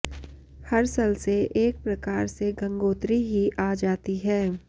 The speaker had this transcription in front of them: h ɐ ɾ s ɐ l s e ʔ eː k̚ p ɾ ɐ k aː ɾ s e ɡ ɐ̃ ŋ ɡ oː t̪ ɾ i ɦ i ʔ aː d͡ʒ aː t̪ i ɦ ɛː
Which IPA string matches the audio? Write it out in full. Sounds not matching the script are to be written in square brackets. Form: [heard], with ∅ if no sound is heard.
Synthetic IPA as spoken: h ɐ ɾ s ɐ l s e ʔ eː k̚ p ɾ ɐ k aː ɾ s e ɡ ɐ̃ ŋ ɡ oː t̪ ɾ i ɦ i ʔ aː d͡ʒ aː t̪ i ɦ ɛː